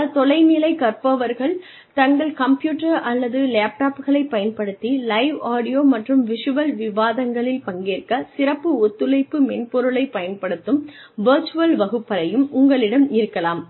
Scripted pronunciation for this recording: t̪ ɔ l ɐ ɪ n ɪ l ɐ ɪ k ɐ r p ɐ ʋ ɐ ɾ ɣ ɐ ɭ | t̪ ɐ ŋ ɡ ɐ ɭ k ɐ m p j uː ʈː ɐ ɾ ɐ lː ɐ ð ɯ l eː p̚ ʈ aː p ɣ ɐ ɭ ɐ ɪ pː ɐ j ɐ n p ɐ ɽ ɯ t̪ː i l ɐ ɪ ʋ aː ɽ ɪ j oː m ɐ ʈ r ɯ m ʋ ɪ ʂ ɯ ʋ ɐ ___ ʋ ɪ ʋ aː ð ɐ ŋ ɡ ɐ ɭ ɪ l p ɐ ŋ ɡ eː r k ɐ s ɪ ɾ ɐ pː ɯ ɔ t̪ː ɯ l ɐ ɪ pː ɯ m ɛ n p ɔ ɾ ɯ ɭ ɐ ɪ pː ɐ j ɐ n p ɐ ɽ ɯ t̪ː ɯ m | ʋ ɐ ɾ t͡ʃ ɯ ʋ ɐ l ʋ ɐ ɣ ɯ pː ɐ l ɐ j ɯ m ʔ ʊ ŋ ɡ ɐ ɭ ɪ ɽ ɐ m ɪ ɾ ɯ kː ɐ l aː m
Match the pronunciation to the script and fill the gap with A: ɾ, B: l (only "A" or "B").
B